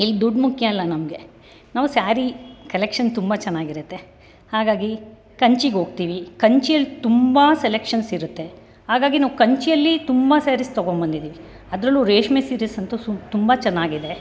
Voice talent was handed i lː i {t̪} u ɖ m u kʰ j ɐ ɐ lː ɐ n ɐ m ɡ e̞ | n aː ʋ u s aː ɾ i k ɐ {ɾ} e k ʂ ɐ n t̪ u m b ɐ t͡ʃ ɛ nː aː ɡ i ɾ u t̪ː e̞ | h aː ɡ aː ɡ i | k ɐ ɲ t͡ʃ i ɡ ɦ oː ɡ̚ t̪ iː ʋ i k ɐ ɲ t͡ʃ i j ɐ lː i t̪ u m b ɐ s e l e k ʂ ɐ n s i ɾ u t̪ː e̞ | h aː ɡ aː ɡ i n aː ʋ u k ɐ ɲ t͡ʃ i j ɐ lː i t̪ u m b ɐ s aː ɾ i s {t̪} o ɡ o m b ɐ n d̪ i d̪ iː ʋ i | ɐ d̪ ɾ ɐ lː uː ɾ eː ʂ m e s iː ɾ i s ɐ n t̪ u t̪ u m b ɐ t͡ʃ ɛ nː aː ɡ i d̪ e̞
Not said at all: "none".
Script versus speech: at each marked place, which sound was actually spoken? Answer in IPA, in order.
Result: d̪, l, t̪

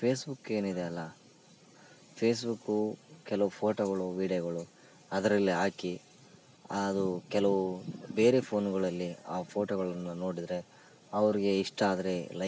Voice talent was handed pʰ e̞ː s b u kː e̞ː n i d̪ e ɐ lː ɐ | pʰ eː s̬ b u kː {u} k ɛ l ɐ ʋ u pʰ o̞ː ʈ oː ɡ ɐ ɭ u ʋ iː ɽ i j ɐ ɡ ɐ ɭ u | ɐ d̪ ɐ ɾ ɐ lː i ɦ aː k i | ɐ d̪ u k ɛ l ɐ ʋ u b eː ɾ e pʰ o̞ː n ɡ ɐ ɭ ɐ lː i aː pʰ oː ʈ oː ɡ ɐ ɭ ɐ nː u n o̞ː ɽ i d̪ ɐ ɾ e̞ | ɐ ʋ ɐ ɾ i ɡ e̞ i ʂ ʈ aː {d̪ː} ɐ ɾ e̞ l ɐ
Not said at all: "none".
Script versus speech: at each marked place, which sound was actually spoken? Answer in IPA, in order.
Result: u, d̪

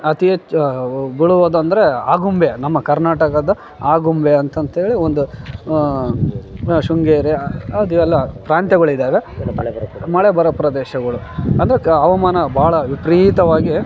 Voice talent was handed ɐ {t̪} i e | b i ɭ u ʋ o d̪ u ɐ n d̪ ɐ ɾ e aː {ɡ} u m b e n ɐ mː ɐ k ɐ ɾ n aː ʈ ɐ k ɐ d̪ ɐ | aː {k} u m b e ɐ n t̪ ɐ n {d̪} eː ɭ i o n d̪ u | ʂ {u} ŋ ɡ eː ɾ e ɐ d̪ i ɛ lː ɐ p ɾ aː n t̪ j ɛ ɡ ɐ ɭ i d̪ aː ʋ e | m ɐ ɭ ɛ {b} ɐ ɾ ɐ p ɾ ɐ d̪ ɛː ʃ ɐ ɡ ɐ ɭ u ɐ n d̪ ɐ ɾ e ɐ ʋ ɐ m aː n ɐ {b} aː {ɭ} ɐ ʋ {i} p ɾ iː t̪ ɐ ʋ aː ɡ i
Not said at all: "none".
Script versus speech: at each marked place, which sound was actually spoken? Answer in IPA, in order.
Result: t̪, ɡ, ɡ, t̪, u, b, b, ɭ, i

